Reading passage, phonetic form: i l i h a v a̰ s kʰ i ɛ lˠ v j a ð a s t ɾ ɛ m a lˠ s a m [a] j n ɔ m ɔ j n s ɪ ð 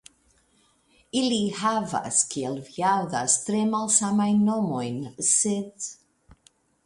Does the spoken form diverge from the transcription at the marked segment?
no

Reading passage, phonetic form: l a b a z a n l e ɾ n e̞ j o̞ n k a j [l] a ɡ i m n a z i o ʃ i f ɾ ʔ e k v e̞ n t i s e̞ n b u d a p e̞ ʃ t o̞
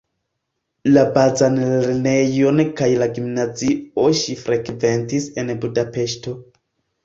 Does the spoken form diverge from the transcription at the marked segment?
no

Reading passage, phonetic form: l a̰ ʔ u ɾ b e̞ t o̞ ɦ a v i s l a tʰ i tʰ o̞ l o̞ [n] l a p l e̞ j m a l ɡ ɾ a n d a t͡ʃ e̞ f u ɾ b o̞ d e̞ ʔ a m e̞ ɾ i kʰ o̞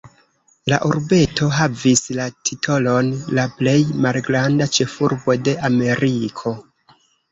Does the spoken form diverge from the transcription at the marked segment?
no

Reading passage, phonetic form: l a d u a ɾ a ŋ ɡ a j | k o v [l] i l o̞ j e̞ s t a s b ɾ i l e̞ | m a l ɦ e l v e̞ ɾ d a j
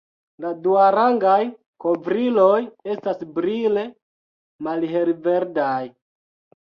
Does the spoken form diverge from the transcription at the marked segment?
yes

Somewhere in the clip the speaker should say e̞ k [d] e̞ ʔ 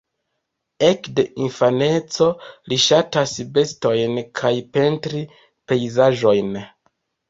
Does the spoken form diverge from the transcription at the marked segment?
no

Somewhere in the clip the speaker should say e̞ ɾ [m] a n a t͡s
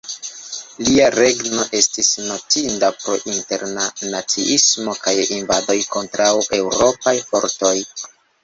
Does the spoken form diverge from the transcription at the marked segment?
yes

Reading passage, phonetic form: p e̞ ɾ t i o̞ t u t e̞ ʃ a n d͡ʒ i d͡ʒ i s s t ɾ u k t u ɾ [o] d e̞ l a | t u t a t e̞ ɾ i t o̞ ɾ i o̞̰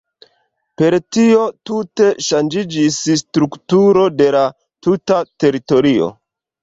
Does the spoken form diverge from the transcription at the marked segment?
no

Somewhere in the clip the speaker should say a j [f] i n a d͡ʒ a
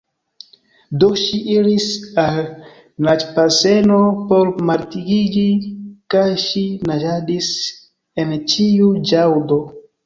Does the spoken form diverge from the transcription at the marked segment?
yes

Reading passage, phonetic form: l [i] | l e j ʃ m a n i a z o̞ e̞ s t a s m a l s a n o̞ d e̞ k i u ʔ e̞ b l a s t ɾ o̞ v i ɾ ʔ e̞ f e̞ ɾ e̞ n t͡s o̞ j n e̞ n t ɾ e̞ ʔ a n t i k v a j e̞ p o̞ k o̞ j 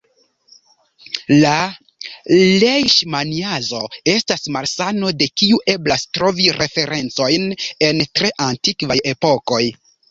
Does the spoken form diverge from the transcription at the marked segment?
yes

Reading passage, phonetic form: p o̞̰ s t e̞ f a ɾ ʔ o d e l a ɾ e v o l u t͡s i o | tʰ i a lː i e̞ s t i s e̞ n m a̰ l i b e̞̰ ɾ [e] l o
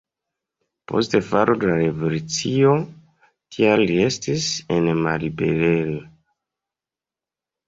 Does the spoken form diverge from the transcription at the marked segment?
no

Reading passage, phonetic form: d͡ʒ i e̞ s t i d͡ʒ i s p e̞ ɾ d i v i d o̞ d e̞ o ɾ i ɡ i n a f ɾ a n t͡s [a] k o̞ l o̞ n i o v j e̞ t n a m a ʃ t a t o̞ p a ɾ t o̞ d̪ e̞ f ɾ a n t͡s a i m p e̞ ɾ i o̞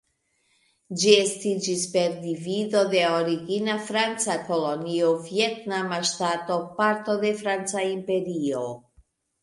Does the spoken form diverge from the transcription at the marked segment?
no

